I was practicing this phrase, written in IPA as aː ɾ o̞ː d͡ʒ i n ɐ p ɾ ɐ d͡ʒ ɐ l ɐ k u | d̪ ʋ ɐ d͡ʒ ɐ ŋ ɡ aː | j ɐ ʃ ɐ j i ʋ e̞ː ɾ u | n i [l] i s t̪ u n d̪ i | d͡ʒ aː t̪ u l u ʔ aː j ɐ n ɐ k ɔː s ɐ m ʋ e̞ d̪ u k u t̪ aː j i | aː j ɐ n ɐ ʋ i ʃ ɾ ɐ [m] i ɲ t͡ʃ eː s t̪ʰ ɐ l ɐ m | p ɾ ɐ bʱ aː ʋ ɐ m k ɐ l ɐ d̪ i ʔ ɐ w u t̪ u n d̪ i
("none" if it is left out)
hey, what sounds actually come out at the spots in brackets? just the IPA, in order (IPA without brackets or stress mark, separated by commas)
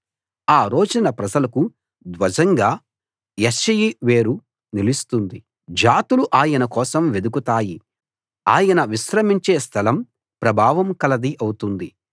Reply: l, m